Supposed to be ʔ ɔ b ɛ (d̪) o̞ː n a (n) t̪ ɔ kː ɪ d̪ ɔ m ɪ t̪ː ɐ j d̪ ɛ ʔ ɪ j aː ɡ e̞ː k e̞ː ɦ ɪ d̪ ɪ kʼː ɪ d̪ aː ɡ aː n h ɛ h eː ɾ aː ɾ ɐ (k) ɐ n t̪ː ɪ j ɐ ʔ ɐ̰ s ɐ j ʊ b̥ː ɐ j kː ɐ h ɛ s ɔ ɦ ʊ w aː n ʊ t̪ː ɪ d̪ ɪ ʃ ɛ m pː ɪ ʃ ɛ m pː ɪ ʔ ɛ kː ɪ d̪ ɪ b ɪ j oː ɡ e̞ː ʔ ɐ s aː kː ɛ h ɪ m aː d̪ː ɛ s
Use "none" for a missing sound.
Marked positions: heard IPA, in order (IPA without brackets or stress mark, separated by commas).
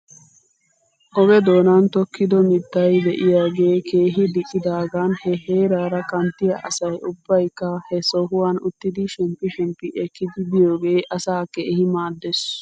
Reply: d̪, n, k